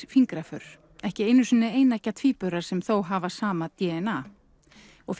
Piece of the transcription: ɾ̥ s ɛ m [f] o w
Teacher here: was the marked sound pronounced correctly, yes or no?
no